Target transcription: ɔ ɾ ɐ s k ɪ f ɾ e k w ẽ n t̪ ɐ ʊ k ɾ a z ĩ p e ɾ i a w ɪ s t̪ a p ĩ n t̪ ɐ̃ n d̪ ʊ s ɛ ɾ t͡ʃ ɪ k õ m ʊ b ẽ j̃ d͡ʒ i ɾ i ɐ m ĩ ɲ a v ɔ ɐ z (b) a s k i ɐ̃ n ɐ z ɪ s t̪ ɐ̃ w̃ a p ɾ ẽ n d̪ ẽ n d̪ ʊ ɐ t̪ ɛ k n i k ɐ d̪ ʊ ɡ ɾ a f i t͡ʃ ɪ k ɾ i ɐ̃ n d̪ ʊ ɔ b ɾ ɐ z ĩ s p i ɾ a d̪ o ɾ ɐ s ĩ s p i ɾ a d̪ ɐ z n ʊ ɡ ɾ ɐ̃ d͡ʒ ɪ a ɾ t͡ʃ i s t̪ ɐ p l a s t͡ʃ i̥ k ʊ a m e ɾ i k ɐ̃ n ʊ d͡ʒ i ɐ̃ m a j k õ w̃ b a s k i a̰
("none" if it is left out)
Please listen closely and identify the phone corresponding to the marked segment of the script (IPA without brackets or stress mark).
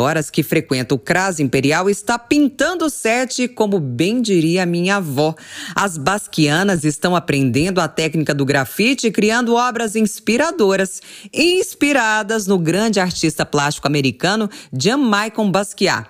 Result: b